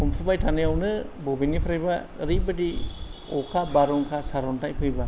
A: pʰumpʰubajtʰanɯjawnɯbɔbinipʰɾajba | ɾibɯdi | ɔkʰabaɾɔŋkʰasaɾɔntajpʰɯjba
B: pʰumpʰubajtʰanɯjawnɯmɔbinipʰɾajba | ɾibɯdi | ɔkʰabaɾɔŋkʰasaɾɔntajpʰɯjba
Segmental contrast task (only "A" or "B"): A